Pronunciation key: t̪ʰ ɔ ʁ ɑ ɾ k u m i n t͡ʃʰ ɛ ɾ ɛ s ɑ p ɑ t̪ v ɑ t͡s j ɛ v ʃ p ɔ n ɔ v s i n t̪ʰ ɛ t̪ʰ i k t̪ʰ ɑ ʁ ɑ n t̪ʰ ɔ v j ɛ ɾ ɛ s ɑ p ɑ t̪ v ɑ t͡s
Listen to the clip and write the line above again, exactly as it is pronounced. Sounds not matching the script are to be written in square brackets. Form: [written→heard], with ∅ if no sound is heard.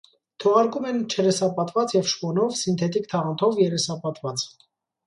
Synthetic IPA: t̪ʰ ɔ ʁ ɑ ɾ k u m [i→ɛ] n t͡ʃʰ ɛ ɾ ɛ s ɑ p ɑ t̪ v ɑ t͡s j ɛ v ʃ p ɔ n ɔ v s i n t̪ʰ ɛ [t̪ʰ→t̪] i k t̪ʰ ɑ ʁ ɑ n t̪ʰ ɔ v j ɛ ɾ ɛ s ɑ p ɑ t̪ v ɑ t͡s